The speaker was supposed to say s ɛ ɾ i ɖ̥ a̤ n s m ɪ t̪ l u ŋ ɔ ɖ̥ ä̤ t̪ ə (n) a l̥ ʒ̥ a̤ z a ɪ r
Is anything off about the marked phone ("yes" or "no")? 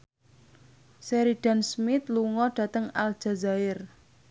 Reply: yes